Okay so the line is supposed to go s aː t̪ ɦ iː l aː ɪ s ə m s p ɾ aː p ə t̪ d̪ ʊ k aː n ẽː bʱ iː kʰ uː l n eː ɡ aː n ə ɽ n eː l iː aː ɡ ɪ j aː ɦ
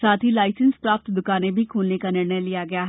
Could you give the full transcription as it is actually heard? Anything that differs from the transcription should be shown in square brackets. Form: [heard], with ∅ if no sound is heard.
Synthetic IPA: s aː t̪ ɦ iː l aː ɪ s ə [n] s p ɾ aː p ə t̪ d̪ ʊ k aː n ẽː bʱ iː kʰ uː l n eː [k] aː n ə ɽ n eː l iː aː ɡ ɪ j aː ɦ